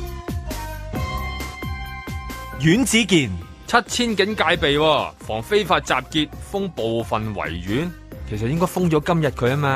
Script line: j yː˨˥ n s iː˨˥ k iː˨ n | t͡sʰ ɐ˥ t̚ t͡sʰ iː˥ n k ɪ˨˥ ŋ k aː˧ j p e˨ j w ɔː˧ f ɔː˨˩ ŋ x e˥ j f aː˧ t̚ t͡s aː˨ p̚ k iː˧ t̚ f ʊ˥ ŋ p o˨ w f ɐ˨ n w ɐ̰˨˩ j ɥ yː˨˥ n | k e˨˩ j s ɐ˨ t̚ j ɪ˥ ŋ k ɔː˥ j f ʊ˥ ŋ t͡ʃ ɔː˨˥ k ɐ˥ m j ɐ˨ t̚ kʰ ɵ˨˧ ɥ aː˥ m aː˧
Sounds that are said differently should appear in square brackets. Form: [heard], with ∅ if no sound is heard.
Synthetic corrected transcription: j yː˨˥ n [t͡s] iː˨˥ k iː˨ n | t͡sʰ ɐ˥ t̚ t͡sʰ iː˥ n k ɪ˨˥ ŋ k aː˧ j p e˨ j w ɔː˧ f ɔː˨˩ ŋ [f] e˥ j f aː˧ t̚ t͡s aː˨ p̚ k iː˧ t̚ f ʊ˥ ŋ p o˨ w f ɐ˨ n w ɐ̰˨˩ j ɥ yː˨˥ n | [kʰ] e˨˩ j s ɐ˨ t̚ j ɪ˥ ŋ k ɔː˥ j f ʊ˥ ŋ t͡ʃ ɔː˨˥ k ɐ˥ m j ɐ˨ t̚ kʰ ɵ˨˧ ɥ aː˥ m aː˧